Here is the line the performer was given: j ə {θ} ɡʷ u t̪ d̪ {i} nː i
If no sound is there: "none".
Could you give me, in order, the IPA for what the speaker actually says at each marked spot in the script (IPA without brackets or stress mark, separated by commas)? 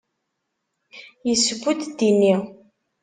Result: s, i